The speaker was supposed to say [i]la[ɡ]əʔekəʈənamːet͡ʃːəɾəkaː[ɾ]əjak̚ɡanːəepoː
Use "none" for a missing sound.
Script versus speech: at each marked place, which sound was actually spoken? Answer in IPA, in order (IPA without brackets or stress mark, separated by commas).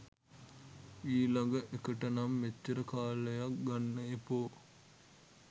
iː, ɡ, l